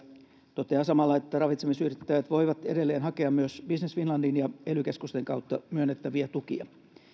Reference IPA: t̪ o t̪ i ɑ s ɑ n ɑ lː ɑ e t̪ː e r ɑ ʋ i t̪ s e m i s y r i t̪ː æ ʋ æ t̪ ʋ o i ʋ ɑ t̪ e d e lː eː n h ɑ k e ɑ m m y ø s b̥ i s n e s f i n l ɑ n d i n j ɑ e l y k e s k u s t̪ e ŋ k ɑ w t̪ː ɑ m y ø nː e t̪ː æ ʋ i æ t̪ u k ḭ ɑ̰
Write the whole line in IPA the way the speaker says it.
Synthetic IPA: t̪ o t̪ e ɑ s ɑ m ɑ lː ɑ e t̪ː æ r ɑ ʋ i t̪ s e m i s y r i t̪ː æ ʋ æ t̪ ʋ o i ʋ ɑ t̪ e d e lː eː n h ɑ k e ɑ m m y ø s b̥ i s n e s f i n l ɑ n d i n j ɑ e l y k e s k u s t̪ e ŋ k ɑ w t̪ː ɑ m y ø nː e t̪ː æ ʋ i æ t̪ u k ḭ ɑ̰

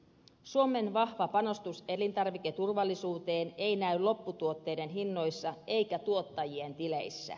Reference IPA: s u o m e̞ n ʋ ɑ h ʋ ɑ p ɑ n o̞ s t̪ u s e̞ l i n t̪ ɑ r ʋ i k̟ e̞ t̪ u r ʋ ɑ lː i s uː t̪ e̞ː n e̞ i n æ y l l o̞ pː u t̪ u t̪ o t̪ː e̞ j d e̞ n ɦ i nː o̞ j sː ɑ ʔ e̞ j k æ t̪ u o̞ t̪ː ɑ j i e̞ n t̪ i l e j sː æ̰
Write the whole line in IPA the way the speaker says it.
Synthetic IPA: s u o m e̞ n ʋ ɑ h ʋ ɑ p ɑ n o̞ s t̪ u s e̞ l i n t̪ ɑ r ʋ i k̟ e̞ t̪ u r ʋ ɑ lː i s uː t̪ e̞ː n e̞ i n æ y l l o̞ pː u t̪ u o t̪ː e̞ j d e̞ n ɦ i nː o̞ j sː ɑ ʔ e̞ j k æ t̪ u o̞ t̪ː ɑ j i e̞ n t̪ i l e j sː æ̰

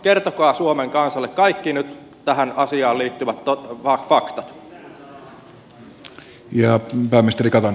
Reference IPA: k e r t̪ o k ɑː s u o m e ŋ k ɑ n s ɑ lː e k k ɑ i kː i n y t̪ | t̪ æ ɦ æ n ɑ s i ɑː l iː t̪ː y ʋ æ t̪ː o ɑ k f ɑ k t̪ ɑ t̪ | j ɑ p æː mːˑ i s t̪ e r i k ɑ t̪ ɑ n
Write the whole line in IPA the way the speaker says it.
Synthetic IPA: k e r t̪ o k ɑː s u o m e ŋ k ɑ n s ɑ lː e k k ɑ i kː i n y t̪ | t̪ æ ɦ æ n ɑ s i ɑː l iː t̪ː y ʋ æ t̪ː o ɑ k f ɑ k t̪ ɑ t̪ | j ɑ p æː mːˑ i s t̪ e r i k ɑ t̪ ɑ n

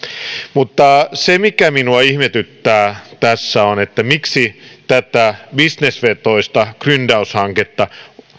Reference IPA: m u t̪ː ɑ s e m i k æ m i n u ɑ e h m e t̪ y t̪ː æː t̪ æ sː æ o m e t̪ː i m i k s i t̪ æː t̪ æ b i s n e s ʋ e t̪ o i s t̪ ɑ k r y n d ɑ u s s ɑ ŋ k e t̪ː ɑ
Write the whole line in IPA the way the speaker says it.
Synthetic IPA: m u t̪ː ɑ s e m i k æ m i n u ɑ i h m e t̪ y t̪ː æː t̪ æ sː æ o n e t̪ː æ m i k s i t̪ æ t̪ æ b i s n e s ʋ e t̪ o i s t̪ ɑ k r y n d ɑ u s h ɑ ŋ k e t̪ː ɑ

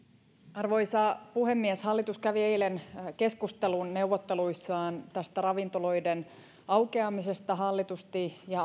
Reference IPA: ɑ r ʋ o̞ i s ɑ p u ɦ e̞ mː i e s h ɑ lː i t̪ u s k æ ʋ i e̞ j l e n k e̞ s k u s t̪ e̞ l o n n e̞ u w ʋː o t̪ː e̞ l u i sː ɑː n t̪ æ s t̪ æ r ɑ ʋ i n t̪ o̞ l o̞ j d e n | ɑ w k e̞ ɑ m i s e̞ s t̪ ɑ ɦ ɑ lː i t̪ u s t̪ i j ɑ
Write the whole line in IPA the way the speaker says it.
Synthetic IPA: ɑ r ʋ o̞ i s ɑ p u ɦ e̞ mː i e s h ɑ lː i t̪ u s k æ ʋ i e̞ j l e n k e̞ s k u s t̪ e̞ l u n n e̞ u w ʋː o t̪ː e̞ l u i sː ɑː n t̪ æ s t̪ æ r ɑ ʋ i n t̪ o̞ l o̞ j d e n | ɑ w k e̞ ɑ m i s e̞ s t̪ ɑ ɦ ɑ lː i t̪ u s t̪ i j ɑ

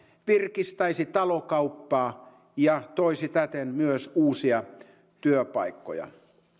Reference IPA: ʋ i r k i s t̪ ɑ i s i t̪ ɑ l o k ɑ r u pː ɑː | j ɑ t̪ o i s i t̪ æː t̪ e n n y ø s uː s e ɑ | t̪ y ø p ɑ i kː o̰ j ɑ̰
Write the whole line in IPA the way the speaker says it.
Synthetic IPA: ʋ i r k i s t̪ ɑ i s i t̪ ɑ l o k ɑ u pː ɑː | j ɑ t̪ o i s i t̪ æ t̪ e n m y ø s uː s i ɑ | t̪ y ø p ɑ i kː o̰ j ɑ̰

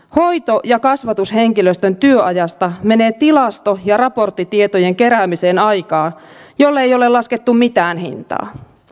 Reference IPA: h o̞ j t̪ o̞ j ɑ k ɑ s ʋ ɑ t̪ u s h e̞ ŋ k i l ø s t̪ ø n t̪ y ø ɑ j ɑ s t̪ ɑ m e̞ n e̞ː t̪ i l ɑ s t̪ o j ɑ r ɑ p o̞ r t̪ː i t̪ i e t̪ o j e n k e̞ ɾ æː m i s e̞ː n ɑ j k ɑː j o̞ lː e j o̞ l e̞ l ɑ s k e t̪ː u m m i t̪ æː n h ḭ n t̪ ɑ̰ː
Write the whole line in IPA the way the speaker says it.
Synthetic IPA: h o̞ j t̪ o̞ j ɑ k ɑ s ʋ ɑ t̪ u s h e̞ ŋ k i l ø s t̪ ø n t̪ y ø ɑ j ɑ s t̪ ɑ m e̞ n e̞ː t̪ i l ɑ s t̪ o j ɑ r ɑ p o̞ r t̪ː i t̪ i e t̪ o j e ŋ k e̞ ɾ æː m i s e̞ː n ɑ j k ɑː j o̞ lː e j o̞ l e̞ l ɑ s k e t̪ː u m m i t̪ æː n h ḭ n t̪ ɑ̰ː

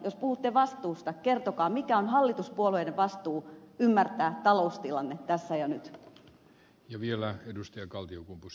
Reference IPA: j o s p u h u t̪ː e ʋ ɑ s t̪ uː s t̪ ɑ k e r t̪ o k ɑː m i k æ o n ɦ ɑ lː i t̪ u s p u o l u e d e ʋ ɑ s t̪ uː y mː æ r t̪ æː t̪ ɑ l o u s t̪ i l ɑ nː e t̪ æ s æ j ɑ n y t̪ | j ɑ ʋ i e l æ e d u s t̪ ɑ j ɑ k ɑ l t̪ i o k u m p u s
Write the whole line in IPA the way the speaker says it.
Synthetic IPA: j o s p u h u t̪ː e ʋ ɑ s t̪ uː s t̪ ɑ k e r t̪ o k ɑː m i k æ o n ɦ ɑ lː i t̪ u s p u o l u e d e ʋ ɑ s t̪ uː y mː æ r t̪ æː t̪ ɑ l o u s t̪ i l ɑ nː e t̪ æ sː æ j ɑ n y t̪ | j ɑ ʋ i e l æ e d u s t̪ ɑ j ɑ k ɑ l t̪ i o k u m p u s

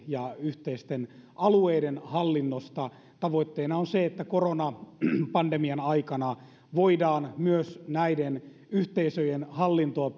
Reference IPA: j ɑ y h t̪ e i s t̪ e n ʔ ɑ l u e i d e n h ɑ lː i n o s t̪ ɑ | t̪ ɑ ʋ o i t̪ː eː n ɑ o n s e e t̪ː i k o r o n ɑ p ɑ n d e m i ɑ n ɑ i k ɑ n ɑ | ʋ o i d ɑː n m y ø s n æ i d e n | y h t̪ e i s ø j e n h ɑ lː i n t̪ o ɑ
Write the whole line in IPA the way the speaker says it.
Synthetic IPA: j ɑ y h t̪ e i s t̪ e n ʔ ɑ l u e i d e n h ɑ lː i nː o s t̪ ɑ | t̪ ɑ ʋ o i t̪ː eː n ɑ o n s e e t̪ː æ k o r o n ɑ p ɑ n d e m i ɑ n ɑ i k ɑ n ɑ | ʋ o i d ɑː n m y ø s n æ i d e n | y h t̪ e i s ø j e n h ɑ lː i n t̪ o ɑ

